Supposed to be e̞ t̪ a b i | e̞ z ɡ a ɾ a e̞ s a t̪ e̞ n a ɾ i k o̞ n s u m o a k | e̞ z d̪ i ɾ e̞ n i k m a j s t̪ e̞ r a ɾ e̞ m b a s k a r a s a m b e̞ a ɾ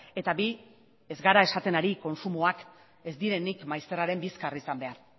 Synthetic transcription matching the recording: e̞ t̪ a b i | e̞ z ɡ a ɾ a e̞ s a t̪ e̞ n a ɾ i k o̞ n s u m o a k | e̞ z d̪ i ɾ e̞ n i k m a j s t̪ e̞ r a ɾ e̞ m b i s k a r i s a m b e̞ a ɾ